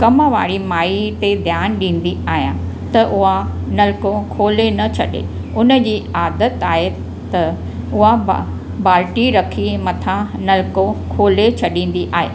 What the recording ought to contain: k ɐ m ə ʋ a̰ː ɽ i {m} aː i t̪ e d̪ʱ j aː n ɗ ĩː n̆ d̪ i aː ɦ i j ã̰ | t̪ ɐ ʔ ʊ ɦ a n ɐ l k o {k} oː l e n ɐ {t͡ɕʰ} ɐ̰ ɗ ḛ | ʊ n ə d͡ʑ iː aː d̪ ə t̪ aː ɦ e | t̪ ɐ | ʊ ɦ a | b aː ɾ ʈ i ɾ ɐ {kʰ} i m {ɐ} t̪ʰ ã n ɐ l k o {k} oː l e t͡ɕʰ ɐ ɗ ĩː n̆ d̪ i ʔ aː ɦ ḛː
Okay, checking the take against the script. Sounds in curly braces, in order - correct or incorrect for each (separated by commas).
correct, incorrect, correct, correct, correct, incorrect